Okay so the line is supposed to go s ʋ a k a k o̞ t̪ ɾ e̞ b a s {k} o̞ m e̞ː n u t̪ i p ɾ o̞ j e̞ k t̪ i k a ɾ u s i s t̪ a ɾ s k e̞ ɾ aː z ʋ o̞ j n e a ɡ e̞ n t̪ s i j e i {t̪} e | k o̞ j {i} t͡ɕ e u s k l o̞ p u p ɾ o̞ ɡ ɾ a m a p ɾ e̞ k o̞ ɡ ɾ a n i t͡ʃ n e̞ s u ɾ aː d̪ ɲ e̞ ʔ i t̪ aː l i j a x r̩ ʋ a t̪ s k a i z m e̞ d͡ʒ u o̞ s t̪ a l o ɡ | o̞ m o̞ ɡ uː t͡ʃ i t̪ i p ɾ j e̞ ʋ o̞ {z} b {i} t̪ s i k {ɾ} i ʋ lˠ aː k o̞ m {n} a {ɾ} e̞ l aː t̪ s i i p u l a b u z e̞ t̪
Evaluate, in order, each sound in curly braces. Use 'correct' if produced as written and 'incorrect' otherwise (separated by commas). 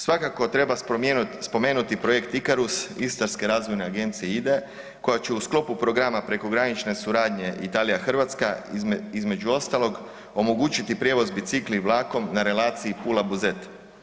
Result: incorrect, incorrect, incorrect, correct, correct, incorrect, correct, correct